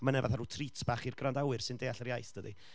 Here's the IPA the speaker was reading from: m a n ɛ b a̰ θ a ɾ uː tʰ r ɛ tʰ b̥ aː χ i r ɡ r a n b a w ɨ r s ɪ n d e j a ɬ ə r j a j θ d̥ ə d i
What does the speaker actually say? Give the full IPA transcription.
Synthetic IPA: m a n ɛ v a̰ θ a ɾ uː tʰ r i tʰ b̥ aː χ i r ɡ r a n d a w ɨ r s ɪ n d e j a ɬ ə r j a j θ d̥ ə d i

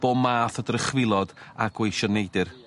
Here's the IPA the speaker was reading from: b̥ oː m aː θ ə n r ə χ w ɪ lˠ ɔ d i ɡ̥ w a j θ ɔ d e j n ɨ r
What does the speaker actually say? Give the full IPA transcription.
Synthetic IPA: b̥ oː m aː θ ə d r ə χ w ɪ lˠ ɔ d a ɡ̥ w e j ʃ ɔ n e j d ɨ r

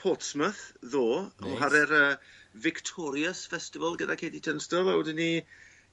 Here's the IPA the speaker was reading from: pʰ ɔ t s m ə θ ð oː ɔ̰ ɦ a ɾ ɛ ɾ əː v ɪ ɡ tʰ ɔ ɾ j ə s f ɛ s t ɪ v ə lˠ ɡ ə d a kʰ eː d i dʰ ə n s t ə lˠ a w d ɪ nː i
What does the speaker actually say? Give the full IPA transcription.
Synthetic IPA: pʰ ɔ t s m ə θ ð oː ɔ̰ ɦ a ɾ ɛ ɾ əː v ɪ k tʰ ɔ ɾ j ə s f ɛ s t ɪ v ə lˠ ɡ ə d a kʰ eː d i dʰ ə n s t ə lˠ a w d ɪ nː i

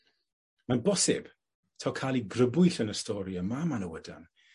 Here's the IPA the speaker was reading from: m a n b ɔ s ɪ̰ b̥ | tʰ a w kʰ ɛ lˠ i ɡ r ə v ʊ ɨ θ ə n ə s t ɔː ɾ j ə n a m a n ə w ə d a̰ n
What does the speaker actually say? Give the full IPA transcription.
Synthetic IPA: m a n b ɔ s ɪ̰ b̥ | tʰ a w kʰ a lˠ i ɡ r ə b ʊ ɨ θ ə n ə s t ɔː ɾ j ə m a m a n ə w ə d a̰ n

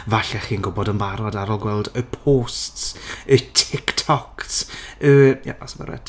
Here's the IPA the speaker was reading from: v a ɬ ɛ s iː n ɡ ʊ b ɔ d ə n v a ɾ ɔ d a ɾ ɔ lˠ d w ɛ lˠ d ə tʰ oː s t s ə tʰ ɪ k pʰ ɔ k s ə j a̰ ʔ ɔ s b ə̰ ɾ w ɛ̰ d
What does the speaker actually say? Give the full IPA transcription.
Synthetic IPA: v a ɬ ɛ χ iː n ɡ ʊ b ɔ d ə n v a ɾ ɔ d a ɾ ɔ lˠ ɡ w ɛ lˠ d ə pʰ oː s t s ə tʰ ɪ k tʰ ɔ k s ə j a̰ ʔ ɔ s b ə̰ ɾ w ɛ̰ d

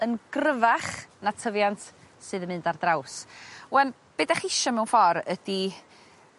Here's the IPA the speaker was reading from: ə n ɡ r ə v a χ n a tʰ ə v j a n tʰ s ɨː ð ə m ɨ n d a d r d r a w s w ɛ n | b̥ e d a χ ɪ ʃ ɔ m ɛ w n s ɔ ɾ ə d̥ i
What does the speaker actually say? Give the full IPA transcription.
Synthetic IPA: ə n ɡ r ə v a χ n a tʰ ə v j a n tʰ s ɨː ð ə m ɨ n d a r d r a w s w ɛ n | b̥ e d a χ ɪ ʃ ɔ m ɛ w n f ɔ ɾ ə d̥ i

